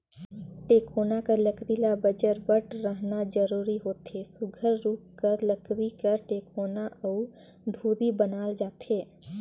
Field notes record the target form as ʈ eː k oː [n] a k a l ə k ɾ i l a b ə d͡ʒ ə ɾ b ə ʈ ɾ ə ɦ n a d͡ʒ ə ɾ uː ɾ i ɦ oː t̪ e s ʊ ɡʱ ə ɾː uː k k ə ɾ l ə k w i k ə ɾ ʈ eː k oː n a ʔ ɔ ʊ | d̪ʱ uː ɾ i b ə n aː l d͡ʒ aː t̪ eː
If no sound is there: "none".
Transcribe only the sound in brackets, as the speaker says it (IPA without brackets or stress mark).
n